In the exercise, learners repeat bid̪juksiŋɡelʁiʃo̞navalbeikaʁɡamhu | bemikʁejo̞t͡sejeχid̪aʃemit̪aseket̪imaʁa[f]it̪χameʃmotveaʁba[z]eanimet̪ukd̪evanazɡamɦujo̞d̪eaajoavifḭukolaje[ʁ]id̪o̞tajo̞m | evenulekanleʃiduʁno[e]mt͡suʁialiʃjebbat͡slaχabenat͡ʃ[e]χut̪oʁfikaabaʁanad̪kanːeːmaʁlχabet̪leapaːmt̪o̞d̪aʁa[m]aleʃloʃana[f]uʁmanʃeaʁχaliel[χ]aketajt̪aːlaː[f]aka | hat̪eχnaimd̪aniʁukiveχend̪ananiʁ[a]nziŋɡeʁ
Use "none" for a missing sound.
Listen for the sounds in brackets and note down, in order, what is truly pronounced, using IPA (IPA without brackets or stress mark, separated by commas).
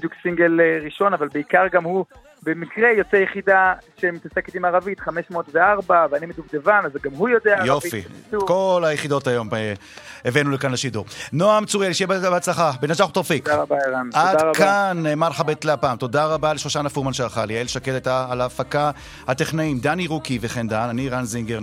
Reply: v, v, χ, a, a, b, f, ʃ, f, a